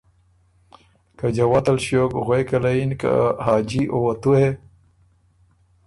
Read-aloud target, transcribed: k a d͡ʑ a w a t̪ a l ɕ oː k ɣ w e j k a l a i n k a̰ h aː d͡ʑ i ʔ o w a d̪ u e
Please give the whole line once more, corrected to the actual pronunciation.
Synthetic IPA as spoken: k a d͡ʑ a w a t̪ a l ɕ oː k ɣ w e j k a l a i n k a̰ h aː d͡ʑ i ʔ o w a t̪ u e